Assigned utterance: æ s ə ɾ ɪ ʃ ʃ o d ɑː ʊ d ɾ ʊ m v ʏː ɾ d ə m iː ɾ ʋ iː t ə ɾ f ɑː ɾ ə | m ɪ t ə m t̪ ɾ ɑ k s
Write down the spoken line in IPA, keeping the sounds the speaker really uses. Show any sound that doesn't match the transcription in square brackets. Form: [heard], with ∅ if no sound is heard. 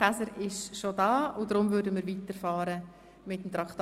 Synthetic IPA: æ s ə ɾ ɪ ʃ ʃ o d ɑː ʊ d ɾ ʊ m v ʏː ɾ d ə m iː ɾ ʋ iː t ə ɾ f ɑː ɾ ə | m ɪ t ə m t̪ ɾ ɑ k [t]